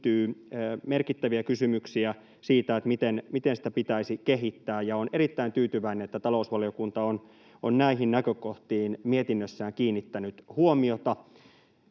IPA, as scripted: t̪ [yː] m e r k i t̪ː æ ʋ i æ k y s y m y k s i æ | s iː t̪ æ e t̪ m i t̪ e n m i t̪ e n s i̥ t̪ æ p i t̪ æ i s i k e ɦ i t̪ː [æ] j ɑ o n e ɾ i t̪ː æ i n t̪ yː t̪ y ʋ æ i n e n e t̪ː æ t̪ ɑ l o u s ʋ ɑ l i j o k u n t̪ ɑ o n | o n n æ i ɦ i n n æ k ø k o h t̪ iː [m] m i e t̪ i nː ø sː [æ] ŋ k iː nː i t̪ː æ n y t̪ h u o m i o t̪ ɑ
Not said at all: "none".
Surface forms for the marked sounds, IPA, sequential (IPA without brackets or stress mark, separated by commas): yː, æː, n, æː